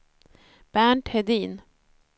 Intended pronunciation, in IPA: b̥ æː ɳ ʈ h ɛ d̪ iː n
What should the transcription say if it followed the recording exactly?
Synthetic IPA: b̥ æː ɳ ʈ h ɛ d̪ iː n